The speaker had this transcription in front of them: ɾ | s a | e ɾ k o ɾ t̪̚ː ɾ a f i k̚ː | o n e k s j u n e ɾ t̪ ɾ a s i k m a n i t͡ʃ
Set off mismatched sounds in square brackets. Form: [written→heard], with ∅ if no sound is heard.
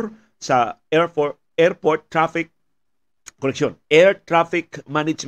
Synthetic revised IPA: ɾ | s a | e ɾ [k→p] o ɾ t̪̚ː ɾ a f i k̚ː | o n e k s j [u→o] n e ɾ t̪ ɾ a [s→f] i k m a n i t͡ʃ